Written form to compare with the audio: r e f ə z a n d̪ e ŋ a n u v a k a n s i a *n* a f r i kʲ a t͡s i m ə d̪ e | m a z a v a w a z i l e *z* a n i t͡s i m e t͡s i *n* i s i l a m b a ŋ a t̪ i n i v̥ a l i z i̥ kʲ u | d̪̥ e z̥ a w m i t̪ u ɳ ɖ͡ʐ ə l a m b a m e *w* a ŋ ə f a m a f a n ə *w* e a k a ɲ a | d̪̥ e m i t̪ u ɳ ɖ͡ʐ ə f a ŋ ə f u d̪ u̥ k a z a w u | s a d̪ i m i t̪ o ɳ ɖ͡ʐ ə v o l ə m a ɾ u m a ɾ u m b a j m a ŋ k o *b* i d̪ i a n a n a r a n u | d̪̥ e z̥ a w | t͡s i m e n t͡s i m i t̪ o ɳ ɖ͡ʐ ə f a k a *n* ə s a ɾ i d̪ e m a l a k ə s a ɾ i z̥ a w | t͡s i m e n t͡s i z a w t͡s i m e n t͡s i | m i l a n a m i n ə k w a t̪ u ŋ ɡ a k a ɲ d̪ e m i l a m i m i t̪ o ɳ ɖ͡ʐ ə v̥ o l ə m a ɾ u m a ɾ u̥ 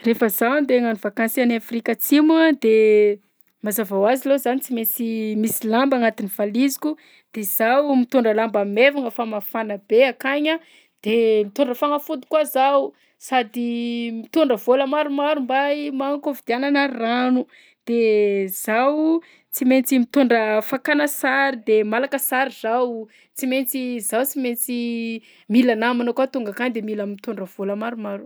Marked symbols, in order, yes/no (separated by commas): yes, yes, no, no, no, no, yes